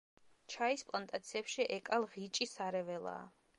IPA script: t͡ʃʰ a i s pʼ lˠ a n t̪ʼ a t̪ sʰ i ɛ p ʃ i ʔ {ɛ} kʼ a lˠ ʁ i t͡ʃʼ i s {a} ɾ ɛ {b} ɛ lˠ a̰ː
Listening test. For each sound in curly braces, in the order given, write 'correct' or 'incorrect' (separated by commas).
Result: correct, correct, incorrect